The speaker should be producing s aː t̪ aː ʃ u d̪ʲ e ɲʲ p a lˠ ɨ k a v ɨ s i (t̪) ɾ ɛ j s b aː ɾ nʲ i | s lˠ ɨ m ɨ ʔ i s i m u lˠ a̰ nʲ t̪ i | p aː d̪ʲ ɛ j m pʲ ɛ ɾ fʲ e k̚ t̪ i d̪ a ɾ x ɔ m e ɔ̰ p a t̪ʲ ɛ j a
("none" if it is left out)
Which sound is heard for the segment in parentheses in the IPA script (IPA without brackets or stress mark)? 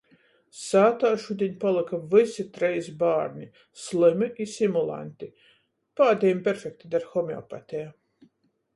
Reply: t̪